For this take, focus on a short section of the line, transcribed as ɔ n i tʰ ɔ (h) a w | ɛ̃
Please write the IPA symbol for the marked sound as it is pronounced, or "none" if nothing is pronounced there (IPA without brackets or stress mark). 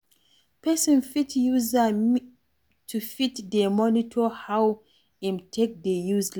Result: h